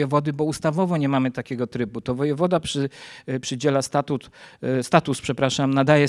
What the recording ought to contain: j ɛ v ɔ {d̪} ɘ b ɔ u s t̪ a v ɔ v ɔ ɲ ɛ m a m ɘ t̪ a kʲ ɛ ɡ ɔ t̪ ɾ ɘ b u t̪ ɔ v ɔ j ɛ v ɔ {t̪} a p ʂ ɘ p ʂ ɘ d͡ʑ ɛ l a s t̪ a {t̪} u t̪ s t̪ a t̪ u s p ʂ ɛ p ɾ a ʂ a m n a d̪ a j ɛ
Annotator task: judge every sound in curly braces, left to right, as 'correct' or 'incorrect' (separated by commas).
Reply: correct, incorrect, correct